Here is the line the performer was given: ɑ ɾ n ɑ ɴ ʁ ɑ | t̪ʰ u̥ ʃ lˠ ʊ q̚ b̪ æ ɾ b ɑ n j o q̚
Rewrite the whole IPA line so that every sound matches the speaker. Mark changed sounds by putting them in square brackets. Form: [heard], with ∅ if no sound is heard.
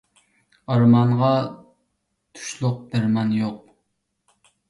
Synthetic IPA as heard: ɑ ɾ [m] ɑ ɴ ʁ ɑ | t̪ʰ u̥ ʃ lˠ ʊ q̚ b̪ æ ɾ [m] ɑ n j o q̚